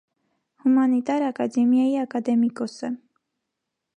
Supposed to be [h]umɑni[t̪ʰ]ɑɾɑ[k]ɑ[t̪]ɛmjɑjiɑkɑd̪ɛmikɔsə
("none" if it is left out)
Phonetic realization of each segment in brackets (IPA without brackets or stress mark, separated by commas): h, t̪, k, d̪